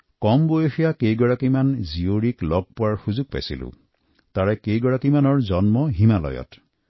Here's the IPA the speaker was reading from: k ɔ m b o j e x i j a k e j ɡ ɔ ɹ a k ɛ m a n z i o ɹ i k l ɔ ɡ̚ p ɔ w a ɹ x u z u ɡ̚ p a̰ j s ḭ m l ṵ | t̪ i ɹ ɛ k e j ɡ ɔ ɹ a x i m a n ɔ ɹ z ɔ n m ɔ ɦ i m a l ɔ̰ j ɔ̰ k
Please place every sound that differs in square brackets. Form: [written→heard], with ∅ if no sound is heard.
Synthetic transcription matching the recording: k ɔ m b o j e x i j a k e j ɡ ɔ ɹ a k [ɛ→i] m a n z i o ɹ i k l ɔ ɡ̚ p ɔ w a ɹ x u z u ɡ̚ p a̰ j s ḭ [m→∅] l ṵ | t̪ [i→a] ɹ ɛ k e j ɡ ɔ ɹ a [x→k] i m a n ɔ ɹ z ɔ n m ɔ ɦ i m a l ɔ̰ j ɔ̰ [k→t]